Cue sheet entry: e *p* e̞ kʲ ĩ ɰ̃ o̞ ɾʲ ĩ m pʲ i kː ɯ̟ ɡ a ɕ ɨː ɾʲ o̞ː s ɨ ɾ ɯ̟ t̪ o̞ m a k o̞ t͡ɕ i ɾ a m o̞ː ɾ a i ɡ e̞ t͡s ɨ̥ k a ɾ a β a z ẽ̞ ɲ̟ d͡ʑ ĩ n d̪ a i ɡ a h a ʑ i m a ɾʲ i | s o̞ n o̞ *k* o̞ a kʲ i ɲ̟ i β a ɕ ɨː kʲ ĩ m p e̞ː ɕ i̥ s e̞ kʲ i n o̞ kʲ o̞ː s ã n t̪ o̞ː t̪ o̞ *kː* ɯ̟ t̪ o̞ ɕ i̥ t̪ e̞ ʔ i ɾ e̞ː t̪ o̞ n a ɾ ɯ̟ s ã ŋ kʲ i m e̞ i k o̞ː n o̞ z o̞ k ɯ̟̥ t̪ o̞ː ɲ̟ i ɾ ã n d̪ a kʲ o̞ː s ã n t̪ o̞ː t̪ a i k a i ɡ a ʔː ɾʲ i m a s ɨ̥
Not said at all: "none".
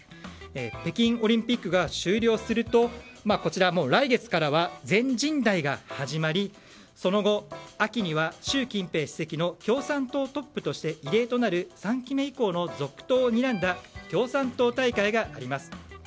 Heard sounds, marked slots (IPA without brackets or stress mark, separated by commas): p, ɡ, pː